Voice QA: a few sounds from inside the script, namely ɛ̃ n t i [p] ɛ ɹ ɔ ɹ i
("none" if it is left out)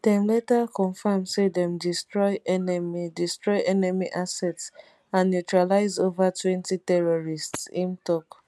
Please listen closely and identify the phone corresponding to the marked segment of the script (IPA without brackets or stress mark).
t